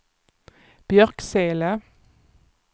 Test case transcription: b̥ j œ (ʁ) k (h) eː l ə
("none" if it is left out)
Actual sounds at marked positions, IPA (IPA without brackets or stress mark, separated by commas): ʁ, s